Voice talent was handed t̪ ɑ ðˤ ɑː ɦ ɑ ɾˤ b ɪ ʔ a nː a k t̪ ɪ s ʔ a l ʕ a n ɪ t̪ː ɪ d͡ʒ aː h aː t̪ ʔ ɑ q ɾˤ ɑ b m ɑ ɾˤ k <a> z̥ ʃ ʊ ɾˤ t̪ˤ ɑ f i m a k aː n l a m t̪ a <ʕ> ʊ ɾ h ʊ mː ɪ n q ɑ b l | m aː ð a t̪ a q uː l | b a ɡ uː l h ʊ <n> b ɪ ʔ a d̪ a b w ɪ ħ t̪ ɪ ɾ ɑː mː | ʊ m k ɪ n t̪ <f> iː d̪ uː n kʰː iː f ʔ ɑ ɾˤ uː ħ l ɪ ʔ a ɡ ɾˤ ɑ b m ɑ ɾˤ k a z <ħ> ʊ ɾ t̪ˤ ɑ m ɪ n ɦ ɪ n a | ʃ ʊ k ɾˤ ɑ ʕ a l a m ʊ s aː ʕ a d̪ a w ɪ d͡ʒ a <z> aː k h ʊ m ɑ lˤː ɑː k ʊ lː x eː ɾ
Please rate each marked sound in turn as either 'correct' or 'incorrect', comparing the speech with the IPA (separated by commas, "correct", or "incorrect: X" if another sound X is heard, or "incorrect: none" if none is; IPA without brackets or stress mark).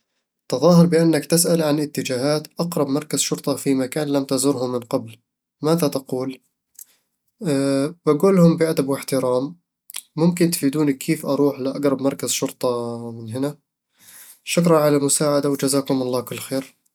correct, incorrect: z, incorrect: m, correct, incorrect: ʃ, correct